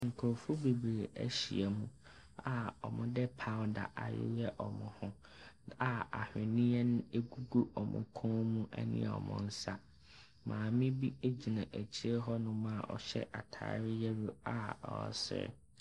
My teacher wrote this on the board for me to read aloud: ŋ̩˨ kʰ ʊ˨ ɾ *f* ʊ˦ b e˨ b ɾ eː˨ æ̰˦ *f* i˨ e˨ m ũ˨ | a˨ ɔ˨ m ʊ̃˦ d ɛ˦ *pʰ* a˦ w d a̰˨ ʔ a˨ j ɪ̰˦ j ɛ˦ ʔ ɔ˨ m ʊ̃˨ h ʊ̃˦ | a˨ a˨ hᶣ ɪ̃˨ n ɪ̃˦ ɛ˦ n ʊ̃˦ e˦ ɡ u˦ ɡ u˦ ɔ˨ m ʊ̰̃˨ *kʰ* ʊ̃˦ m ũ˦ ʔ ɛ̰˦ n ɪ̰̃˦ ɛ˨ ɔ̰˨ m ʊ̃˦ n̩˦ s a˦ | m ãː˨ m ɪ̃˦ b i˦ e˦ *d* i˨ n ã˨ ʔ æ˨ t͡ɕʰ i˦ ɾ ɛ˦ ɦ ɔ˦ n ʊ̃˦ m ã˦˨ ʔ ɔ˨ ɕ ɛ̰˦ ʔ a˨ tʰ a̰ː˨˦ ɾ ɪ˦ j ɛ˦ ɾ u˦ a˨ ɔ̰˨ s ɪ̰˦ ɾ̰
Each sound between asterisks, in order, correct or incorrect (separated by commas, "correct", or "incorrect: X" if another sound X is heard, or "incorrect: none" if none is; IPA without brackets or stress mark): correct, incorrect: ɕ, correct, correct, incorrect: d͡ʑ